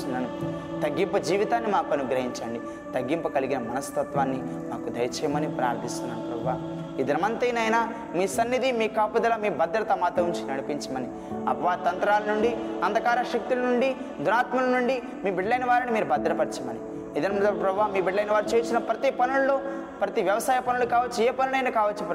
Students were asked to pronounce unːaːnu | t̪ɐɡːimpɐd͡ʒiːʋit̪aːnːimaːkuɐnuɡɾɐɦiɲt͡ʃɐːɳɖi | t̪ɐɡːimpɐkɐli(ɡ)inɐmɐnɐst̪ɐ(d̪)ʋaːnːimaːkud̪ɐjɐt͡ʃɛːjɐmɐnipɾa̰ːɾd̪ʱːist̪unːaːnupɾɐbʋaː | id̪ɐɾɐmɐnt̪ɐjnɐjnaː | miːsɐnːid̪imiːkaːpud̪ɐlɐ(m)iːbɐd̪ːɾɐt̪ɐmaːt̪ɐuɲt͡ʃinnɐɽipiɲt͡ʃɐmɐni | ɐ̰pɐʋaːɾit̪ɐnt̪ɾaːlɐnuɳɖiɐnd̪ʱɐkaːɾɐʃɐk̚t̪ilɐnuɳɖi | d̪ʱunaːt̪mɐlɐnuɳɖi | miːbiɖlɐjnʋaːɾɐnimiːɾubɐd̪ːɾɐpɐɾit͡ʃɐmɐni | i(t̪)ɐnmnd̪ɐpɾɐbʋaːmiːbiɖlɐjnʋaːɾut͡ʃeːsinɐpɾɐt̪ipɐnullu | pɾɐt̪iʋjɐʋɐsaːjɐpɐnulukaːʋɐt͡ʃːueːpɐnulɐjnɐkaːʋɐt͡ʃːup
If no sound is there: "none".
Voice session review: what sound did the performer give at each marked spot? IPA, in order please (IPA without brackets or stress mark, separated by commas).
ɡ, t̪, m, d̪